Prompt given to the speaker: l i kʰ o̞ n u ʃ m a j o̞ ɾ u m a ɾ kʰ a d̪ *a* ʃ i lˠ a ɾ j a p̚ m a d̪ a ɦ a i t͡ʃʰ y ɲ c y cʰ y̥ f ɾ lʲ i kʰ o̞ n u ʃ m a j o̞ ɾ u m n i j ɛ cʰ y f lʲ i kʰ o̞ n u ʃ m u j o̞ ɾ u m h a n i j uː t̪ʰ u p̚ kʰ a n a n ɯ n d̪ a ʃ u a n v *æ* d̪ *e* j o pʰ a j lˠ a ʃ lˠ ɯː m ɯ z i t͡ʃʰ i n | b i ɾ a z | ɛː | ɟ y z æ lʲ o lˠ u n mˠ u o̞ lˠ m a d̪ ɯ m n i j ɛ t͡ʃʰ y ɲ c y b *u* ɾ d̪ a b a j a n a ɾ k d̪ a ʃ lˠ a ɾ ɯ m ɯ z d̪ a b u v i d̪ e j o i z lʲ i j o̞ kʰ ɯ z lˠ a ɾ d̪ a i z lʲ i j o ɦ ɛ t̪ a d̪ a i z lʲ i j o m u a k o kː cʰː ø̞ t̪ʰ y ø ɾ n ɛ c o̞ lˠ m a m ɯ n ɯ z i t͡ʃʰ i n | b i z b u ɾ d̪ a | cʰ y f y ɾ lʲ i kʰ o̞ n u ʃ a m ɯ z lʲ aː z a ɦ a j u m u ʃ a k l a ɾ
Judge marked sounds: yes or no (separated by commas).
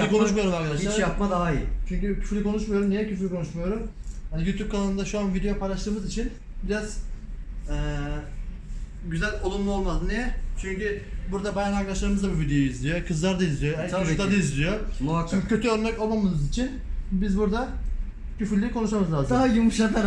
yes, no, yes, yes